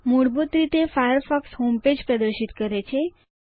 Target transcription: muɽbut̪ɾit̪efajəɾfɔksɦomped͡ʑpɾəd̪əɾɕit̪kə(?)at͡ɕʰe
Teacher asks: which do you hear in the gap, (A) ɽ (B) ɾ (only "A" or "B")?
B